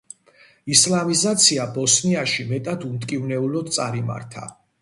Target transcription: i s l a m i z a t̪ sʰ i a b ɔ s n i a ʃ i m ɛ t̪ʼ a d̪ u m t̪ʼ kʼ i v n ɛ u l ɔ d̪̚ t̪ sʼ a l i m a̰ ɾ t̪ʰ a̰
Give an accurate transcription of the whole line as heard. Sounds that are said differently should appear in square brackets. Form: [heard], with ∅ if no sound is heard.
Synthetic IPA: i s l a m i z a t̪ sʰ i a b ɔ s n i a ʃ i m ɛ t̪ʼ a d̪ u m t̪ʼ kʼ i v n ɛ u l ɔ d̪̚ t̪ sʼ a [ɾ] i m a̰ ɾ t̪ʰ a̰

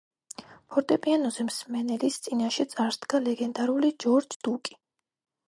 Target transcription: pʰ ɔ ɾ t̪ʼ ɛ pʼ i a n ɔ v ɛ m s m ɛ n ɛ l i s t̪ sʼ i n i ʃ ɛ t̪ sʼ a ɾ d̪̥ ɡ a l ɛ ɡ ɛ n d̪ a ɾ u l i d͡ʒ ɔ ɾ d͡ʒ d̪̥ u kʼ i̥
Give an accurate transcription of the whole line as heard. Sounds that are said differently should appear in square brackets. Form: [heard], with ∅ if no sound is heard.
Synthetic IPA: pʰ ɔ ɾ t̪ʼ ɛ pʼ i a n ɔ [z] ɛ m s m ɛ n ɛ l i s t̪ sʼ i n [a] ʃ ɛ t̪ sʼ a ɾ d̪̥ ɡ a l ɛ ɡ ɛ n d̪ a ɾ u l i d͡ʒ ɔ ɾ d͡ʒ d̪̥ u kʼ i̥

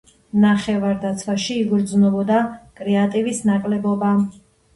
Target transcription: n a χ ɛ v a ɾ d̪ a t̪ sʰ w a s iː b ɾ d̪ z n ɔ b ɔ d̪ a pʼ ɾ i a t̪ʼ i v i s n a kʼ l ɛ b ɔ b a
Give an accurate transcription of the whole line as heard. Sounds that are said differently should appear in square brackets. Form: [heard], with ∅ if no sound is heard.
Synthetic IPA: n a χ ɛ v a ɾ d̪ a t̪ sʰ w a [ʃ] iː [ɡ] ɾ d̪ z n ɔ b ɔ d̪ a [kʼ] ɾ [ɛ] a t̪ʼ i v i s n a kʼ l ɛ b ɔ b a

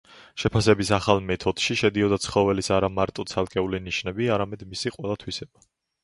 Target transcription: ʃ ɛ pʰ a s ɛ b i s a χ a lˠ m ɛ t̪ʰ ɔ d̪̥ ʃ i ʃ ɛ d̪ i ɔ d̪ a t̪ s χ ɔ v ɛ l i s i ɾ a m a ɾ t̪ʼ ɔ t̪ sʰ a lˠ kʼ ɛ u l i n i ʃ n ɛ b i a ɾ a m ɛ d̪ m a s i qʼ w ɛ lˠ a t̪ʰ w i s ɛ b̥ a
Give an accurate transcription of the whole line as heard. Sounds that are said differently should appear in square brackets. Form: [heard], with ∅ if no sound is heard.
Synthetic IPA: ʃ ɛ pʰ a s ɛ b i s a χ a lˠ m ɛ t̪ʰ ɔ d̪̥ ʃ i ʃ ɛ d̪ i ɔ d̪ a t̪ s χ ɔ v ɛ l i s [a] ɾ a m a ɾ t̪ʼ ɔ t̪ sʰ a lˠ kʼ ɛ u l i n i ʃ n ɛ b i a ɾ a m ɛ d̪ m [i] s i qʼ w ɛ lˠ a t̪ʰ w i s ɛ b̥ a

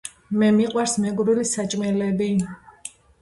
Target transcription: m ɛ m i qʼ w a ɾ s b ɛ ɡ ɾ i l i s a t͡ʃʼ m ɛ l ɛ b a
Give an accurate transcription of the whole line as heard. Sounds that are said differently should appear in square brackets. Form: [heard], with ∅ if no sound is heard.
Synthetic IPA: m ɛ m i qʼ w a ɾ s [m] ɛ ɡ ɾ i l i s a t͡ʃʼ m ɛ l ɛ b [i]

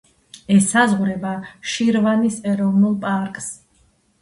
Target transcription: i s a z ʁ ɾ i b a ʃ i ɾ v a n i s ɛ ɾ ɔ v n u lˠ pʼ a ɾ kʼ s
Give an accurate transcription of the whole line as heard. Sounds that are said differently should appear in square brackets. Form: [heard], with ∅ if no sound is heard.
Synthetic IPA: [ɛ] s a z ʁ ɾ [ɛ] b a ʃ i ɾ v a n i s ɛ ɾ ɔ v n u lˠ pʼ a ɾ kʼ s

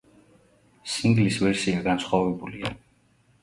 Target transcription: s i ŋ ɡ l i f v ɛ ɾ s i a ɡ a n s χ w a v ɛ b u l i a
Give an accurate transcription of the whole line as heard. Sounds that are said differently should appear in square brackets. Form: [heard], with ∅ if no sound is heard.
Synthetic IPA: s i ŋ ɡ l i [s] v ɛ ɾ s i a ɡ a n s χ w a v ɛ b u l i a

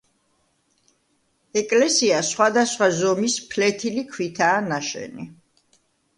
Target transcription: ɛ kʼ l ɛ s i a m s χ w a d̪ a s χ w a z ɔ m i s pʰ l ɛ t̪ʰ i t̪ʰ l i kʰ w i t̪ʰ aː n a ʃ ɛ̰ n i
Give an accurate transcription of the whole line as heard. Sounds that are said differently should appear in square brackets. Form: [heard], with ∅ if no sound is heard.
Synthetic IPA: ɛ kʼ l ɛ s i a [∅] s χ w a d̪ a s χ w a z ɔ m i s pʰ l ɛ t̪ʰ i [∅] l i kʰ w i t̪ʰ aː n a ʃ ɛ̰ n i

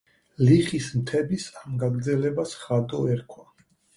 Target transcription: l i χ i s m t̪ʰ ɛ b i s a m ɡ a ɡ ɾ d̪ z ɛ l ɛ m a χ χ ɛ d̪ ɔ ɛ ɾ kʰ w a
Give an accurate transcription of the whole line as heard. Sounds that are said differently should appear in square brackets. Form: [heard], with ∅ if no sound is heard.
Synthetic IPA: l i χ i s m t̪ʰ ɛ b i s a m ɡ a ɡ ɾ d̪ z ɛ l ɛ [b] a [s] χ [a] d̪ ɔ ɛ ɾ kʰ w a

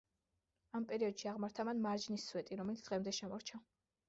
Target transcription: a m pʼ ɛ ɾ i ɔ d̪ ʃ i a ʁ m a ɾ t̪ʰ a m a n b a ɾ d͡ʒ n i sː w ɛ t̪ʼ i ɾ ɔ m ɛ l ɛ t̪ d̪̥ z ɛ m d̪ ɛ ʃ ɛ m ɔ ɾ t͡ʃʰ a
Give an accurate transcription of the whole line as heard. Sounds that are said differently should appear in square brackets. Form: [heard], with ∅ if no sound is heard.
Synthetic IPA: a m pʼ ɛ ɾ i ɔ d̪ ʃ i a ʁ m a ɾ t̪ʰ a m a n [m] a ɾ d͡ʒ n i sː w ɛ t̪ʼ i ɾ ɔ m ɛ l [i] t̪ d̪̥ [ʁ] ɛ m d̪ ɛ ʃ ɛ m ɔ ɾ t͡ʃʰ a

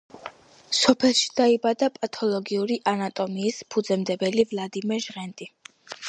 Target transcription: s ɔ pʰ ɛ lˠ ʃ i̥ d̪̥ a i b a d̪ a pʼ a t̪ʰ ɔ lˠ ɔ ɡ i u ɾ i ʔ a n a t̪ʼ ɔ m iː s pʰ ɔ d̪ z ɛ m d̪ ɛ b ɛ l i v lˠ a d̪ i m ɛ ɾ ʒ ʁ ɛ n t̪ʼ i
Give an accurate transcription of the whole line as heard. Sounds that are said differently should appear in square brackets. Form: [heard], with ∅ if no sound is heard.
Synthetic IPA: s ɔ pʰ ɛ lˠ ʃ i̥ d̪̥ a i b a d̪ a pʼ a t̪ʰ ɔ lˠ ɔ ɡ i u ɾ i ʔ a n a t̪ʼ ɔ m iː s pʰ [u] d̪ z ɛ m d̪ ɛ b ɛ l i v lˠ a d̪ i m ɛ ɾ ʒ ʁ ɛ n t̪ʼ i

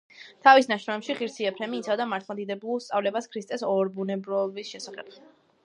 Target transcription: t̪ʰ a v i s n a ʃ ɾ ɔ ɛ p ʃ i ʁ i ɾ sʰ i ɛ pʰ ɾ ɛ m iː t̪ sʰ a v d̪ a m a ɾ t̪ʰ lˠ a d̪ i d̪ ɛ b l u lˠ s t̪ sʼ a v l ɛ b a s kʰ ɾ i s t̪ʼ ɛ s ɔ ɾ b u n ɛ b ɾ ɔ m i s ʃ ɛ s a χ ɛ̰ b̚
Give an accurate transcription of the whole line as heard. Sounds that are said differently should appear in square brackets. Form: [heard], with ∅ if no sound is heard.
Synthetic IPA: t̪ʰ a v i s n a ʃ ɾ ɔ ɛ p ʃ i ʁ i ɾ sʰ i ɛ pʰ ɾ ɛ m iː t̪ sʰ a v d̪ a m a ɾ t̪ʰ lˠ a d̪ i d̪ ɛ b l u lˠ s t̪ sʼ a v l ɛ b a s kʰ ɾ i s t̪ʼ ɛ s ɔ ɾ b u n ɛ b ɾ ɔ [b] i s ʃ ɛ s a χ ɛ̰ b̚

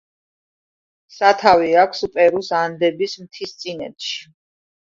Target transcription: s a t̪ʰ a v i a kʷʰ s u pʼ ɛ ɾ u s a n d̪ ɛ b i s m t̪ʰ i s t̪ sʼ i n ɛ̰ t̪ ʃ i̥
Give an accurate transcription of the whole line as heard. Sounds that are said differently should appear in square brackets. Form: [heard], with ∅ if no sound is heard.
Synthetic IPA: s a t̪ʰ a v i a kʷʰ s u pʼ ɛ ɾ u s a n d̪ ɛ b i s m t̪ʰ i s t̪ sʼ i n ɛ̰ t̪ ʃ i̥

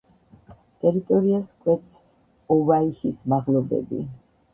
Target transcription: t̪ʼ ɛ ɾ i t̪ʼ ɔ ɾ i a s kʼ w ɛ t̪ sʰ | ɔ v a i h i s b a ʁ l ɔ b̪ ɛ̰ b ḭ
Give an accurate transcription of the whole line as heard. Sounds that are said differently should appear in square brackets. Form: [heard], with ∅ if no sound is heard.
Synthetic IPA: t̪ʼ ɛ ɾ i t̪ʼ ɔ ɾ i a s kʼ w ɛ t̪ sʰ | ɔ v a i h i s [m] a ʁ l ɔ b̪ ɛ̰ b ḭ

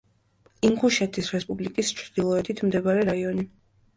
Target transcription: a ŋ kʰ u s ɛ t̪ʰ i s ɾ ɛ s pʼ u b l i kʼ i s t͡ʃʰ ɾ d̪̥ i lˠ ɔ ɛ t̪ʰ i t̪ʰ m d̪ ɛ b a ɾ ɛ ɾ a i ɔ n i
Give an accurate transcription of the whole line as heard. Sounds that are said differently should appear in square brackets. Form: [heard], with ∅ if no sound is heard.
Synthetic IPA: [i] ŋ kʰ u [ʃ] ɛ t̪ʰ i s ɾ ɛ s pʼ u b l i kʼ i s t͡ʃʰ ɾ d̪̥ i lˠ ɔ ɛ t̪ʰ i t̪ʰ m d̪ ɛ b a ɾ ɛ ɾ a i ɔ n i

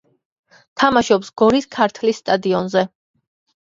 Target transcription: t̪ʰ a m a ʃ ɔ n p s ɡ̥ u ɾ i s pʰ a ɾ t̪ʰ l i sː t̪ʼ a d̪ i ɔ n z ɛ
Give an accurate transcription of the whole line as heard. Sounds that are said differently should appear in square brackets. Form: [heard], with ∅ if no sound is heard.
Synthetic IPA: t̪ʰ a m a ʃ ɔ [∅] p s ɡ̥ [ɔ] ɾ i s [kʰ] a ɾ t̪ʰ l i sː t̪ʼ a d̪ i ɔ n z ɛ

